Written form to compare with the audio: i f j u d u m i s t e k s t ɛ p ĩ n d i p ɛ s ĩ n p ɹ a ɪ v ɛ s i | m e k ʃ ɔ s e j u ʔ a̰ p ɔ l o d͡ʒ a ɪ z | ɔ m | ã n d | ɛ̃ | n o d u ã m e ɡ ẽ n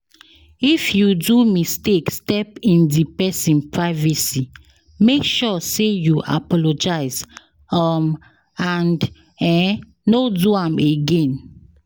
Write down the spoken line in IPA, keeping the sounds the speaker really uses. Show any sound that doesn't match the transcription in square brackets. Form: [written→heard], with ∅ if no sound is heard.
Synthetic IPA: i f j u d u m i s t e k s t ɛ p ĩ n d i p ɛ s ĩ n p ɹ a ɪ v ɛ s i | m e k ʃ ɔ s e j u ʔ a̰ p ɔ l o d͡ʒ a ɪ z | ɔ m | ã n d | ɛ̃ | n o d u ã m e ɡ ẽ n